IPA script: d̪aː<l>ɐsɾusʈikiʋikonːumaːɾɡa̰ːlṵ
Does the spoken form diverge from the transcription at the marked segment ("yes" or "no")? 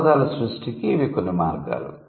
no